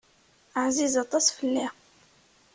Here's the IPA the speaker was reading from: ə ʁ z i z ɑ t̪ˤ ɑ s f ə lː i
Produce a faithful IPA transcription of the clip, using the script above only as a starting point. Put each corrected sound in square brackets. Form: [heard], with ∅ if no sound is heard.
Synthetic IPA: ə [ʕ] z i z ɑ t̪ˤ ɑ s f ə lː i